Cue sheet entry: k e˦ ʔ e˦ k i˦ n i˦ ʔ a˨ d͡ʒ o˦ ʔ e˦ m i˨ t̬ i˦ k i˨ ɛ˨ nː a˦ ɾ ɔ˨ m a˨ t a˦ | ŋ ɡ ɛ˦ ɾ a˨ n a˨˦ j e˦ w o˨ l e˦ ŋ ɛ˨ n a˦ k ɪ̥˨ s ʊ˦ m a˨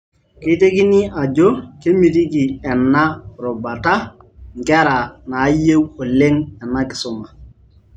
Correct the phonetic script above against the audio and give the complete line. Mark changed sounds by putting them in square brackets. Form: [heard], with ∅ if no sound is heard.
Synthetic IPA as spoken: k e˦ [t] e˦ k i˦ n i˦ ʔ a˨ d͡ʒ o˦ [k] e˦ m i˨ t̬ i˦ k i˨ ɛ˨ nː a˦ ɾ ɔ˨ [b] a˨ t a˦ | ŋ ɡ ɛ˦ ɾ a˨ n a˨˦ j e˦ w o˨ l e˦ ŋ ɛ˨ n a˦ k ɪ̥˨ s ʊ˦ m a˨